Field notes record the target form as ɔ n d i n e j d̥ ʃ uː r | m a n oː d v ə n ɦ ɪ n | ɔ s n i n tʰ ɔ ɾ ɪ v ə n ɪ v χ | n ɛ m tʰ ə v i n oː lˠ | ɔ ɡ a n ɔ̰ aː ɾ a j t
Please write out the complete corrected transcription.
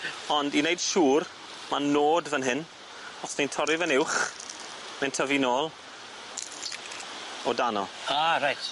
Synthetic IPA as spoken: ɔ n d i n e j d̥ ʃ uː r | m a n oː d v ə n ɦ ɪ n | ɔ s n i n tʰ ɔ ɾ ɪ v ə n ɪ w χ | m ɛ n tʰ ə v i n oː lˠ | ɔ d a n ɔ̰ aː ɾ a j t